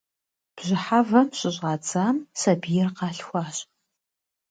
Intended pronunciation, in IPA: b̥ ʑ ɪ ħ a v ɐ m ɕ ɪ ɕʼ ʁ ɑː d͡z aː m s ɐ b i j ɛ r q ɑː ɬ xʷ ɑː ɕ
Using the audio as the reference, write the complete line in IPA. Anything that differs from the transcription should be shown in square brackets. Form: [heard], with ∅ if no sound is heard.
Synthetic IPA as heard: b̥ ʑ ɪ ħ a v ɐ m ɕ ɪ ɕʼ ʁ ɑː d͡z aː m s ɐ b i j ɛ r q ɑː ɬ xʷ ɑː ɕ